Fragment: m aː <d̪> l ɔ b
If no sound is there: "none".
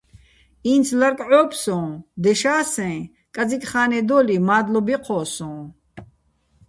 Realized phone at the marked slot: d̪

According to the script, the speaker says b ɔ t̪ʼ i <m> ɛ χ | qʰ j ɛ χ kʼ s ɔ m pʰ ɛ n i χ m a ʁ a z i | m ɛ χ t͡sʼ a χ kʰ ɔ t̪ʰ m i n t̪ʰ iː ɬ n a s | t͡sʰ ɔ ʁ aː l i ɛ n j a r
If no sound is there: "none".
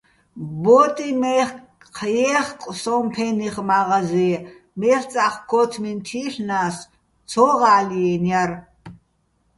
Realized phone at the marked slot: m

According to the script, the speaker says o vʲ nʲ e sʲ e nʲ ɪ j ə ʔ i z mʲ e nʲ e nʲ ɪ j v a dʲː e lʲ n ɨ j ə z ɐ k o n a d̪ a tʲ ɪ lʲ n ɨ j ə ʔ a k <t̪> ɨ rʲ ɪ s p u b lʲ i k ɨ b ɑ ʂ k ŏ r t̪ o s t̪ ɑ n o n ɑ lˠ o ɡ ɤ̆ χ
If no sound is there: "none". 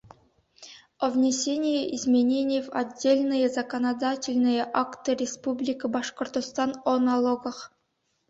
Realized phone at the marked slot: t̪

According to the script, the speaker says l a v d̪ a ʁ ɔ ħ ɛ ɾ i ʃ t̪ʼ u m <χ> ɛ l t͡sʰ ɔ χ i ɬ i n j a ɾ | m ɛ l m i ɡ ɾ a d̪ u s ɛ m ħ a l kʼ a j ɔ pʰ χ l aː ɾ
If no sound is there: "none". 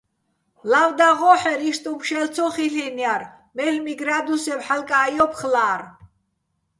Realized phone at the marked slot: ʃ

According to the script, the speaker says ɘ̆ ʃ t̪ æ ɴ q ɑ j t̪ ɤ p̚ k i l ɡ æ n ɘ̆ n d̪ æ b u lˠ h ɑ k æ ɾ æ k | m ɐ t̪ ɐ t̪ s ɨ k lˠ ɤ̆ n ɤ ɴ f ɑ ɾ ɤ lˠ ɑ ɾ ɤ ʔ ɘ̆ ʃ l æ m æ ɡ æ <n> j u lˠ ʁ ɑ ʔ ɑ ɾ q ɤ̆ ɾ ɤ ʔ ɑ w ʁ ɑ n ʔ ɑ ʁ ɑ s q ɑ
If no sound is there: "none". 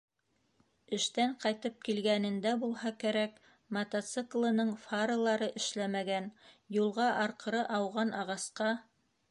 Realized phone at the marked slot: n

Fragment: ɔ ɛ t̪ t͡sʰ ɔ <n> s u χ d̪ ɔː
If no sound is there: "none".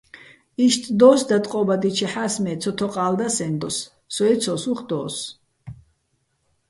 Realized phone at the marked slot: none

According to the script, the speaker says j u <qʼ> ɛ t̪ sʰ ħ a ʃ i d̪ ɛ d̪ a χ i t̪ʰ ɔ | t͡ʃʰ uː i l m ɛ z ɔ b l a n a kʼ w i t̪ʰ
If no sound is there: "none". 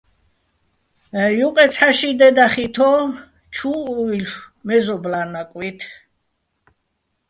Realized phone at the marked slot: qʼ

